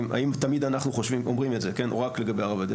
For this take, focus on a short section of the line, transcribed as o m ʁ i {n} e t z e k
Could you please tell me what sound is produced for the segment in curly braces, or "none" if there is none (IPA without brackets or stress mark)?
m